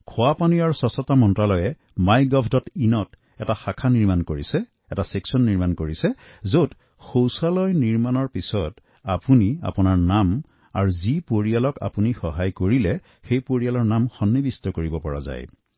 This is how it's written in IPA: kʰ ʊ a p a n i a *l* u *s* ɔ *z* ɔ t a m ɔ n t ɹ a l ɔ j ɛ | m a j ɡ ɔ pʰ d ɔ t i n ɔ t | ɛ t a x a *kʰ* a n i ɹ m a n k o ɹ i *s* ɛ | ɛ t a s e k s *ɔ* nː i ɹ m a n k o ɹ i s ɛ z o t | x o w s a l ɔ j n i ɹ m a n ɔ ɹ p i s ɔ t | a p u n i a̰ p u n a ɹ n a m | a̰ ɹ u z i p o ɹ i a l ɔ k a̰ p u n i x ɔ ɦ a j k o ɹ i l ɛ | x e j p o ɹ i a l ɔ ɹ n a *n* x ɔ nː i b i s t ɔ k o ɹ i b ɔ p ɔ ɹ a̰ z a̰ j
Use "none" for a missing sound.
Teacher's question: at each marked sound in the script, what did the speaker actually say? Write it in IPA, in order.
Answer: ɹ, s, s, kʰ, s, ɔ, m

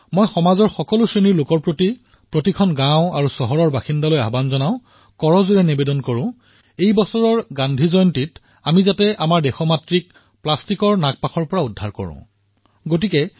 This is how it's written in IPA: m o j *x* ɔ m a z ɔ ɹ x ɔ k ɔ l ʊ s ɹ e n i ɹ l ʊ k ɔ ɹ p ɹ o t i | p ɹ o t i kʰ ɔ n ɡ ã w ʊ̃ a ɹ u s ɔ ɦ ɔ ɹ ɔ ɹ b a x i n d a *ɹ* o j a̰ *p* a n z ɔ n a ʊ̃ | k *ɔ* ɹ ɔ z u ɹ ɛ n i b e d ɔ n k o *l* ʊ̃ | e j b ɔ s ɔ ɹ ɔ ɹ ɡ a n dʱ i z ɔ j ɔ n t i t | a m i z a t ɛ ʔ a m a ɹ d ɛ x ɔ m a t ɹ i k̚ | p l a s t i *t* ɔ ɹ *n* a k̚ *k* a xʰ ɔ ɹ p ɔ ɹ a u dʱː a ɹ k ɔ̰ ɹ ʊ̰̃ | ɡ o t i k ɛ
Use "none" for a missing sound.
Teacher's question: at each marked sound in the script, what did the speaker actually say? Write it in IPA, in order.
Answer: x, l, b, ɔ, ɹ, k, n, p

